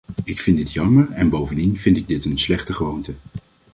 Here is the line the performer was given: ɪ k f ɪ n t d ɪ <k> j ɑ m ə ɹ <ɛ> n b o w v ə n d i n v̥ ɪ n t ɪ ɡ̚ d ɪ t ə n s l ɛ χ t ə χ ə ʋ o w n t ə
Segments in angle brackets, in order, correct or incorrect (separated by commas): incorrect, correct